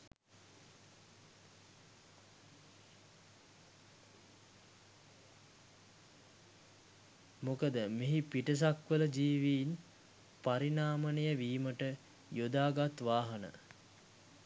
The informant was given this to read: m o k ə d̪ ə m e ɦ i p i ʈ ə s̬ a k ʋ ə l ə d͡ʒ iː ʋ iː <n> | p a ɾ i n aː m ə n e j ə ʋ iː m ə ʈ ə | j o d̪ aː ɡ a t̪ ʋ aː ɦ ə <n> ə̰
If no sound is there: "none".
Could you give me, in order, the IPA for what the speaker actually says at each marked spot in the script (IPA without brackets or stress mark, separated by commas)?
n, n